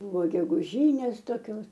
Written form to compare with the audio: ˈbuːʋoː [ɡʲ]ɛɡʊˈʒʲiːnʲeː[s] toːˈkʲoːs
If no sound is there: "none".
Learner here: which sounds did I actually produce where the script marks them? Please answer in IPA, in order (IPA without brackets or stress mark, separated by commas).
ɡʲ, s